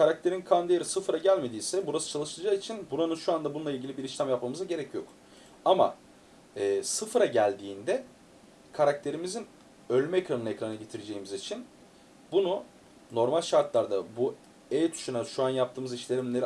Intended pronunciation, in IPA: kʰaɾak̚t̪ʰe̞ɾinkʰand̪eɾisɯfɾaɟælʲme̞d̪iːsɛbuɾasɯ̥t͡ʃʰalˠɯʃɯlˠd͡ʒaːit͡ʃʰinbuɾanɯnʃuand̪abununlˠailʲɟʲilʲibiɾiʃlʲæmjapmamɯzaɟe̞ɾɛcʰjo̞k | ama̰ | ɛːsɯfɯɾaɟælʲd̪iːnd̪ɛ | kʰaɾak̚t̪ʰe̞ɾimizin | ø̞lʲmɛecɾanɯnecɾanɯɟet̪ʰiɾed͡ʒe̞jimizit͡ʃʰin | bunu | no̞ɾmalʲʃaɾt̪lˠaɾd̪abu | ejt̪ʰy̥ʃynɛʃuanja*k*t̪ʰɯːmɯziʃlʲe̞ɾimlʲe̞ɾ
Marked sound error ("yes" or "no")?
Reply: yes